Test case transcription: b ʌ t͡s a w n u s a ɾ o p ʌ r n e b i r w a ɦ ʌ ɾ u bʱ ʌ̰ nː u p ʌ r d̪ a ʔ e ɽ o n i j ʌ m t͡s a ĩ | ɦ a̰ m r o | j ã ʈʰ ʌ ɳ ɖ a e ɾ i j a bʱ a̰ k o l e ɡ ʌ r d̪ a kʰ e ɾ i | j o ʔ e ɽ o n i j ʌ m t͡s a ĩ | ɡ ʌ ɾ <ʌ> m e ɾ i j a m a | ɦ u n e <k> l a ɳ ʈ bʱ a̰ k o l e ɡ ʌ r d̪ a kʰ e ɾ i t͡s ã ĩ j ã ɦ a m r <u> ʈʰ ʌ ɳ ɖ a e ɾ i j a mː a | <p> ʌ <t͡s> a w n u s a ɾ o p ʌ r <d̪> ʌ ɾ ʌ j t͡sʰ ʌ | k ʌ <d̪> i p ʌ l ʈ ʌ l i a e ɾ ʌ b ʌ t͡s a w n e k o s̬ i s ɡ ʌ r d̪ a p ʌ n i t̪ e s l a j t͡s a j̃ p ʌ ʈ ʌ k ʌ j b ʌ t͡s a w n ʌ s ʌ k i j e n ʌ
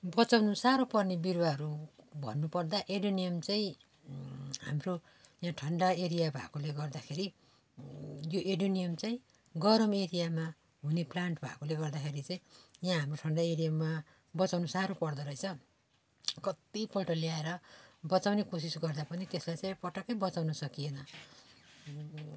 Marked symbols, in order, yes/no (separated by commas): yes, no, no, no, yes, yes, no